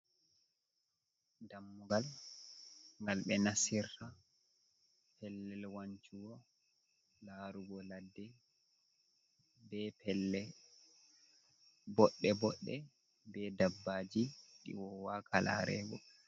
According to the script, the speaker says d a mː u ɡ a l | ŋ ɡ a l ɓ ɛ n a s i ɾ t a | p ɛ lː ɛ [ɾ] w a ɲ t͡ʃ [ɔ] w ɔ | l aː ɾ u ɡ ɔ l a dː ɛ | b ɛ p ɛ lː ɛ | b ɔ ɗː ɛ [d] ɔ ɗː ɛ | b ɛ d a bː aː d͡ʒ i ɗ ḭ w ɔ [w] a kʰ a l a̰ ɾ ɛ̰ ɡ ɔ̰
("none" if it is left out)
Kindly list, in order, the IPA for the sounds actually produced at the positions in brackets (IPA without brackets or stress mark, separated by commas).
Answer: l, u, b, w